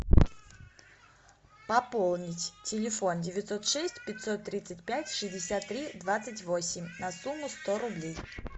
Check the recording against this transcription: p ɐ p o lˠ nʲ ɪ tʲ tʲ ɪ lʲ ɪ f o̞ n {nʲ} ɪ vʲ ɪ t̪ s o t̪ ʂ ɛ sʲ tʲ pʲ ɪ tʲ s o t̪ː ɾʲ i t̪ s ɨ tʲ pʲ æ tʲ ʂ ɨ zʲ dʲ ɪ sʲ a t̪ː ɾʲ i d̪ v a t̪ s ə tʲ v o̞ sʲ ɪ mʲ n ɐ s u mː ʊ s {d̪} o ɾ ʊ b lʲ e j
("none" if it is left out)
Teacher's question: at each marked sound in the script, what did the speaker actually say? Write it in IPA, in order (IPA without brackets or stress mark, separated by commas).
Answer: dʲ, t̪